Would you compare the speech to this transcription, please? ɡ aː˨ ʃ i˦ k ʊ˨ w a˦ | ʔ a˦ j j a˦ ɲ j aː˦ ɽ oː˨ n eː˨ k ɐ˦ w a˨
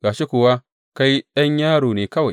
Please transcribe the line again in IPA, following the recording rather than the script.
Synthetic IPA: ɡ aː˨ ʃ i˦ k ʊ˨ w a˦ | k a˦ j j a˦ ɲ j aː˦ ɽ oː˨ n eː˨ k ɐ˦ w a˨